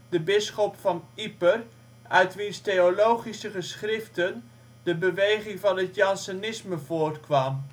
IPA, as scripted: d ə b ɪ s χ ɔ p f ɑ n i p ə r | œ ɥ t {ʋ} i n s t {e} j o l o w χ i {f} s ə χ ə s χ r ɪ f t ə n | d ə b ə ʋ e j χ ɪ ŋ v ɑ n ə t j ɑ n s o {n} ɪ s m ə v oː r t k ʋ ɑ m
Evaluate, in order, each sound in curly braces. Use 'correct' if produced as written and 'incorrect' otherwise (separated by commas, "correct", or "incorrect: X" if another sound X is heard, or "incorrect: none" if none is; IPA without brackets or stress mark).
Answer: correct, correct, incorrect: none, correct